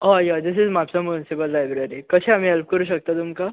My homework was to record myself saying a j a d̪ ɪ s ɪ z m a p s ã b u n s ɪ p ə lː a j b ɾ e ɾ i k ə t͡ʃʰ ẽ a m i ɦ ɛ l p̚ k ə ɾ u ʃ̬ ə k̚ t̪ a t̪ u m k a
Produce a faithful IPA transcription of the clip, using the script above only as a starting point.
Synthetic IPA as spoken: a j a d̪ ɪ s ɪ z m a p s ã m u n s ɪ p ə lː a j b ɾ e ɾ i k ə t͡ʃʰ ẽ a m i ɦ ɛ l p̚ k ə ɾ u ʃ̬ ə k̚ t̪ a t̪ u m k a